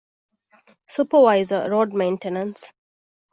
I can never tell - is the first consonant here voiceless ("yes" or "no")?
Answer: yes